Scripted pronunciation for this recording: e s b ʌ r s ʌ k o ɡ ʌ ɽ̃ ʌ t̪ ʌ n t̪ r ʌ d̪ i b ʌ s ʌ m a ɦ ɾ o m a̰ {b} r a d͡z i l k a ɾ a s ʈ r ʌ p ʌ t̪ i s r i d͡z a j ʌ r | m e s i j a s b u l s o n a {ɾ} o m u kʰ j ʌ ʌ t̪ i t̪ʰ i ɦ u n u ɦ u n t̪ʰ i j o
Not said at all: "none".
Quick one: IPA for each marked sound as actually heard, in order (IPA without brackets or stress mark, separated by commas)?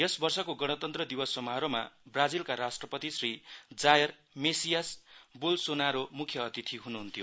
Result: b, ɾ